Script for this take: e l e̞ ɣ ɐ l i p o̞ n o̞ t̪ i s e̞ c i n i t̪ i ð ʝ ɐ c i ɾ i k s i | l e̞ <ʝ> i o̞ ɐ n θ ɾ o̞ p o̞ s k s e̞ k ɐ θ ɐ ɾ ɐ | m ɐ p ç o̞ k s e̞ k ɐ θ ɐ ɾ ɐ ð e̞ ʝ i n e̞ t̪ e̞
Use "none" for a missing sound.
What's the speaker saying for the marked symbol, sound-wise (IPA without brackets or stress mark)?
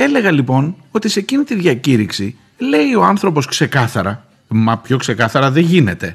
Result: none